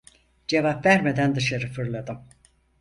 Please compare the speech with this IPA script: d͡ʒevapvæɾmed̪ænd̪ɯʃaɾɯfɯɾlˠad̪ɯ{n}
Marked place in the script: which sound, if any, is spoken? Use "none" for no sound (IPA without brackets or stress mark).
m